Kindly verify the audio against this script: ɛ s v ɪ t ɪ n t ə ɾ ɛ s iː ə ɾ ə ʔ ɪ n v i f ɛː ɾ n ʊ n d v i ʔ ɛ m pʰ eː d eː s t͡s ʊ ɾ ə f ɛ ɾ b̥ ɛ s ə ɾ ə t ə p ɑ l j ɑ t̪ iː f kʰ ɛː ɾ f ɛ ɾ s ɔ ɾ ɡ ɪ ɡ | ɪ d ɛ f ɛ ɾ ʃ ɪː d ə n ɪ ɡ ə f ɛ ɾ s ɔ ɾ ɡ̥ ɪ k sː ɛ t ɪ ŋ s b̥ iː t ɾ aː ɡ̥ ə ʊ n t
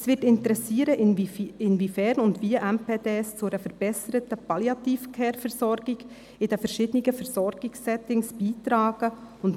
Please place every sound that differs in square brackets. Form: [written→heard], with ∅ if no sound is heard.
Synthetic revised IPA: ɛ s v ɪ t ɪ n t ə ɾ ɛ s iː ə ɾ ə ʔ ɪ n v i f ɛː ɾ n ʊ n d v i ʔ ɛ m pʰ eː d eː s t͡s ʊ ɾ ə f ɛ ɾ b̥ ɛ s ə ɾ ə t ə p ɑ l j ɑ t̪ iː f kʰ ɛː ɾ f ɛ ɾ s ɔ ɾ ɡ ɪ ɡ | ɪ d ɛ f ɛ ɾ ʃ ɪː d ə n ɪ ɡ ə f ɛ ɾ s ɔ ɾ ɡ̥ ɪ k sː ɛ t ɪ ŋ s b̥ iː t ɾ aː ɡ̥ ə ʊ n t